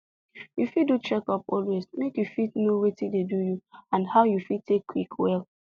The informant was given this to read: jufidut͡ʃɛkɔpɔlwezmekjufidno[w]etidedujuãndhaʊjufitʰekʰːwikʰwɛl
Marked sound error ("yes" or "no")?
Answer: no